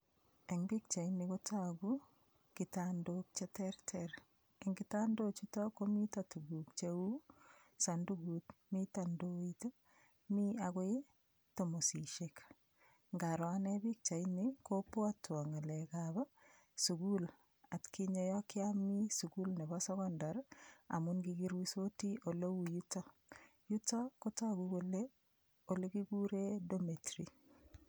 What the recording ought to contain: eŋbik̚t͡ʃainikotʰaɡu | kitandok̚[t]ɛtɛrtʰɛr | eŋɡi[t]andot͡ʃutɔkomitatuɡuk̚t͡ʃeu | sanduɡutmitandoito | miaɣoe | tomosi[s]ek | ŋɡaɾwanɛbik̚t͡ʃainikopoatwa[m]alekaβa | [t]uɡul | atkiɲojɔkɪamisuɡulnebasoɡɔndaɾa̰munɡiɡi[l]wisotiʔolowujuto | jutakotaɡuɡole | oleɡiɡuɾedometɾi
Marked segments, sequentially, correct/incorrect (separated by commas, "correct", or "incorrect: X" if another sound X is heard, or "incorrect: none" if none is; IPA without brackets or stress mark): incorrect: t͡ʃ, correct, incorrect: ʃ, incorrect: ŋ, incorrect: s, incorrect: ɾ